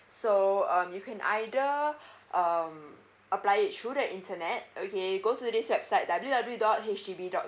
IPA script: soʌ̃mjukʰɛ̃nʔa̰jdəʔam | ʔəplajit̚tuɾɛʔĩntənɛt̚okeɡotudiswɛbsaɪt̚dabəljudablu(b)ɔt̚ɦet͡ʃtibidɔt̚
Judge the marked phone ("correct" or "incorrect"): incorrect